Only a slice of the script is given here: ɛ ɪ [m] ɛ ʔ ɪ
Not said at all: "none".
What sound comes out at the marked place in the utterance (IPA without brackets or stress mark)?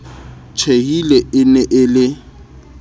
n